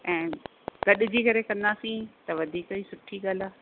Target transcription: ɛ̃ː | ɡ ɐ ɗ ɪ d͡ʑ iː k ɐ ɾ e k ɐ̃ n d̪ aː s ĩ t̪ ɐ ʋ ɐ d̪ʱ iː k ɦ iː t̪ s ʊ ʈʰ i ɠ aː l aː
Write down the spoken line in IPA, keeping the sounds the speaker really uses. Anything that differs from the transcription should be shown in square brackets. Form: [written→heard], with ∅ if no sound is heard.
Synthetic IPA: ɛ̃ː | ɡ ɐ ɗ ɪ d͡ʑ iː k ɐ ɾ e k ɐ̃ n d̪ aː s ĩ t̪ ɐ ʋ ɐ d̪ʱ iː k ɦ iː [t̪→∅] s ʊ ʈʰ i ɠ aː l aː